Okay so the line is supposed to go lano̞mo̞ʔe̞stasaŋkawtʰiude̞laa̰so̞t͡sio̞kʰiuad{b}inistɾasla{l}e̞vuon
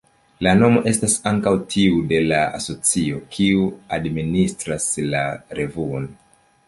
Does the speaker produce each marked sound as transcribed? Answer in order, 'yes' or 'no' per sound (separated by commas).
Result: no, no